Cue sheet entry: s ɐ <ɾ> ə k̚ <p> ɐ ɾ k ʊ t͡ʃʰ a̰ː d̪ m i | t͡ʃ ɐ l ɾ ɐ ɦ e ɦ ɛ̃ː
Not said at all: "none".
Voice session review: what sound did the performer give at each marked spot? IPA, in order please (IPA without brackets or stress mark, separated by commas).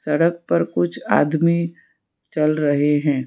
ɽ, p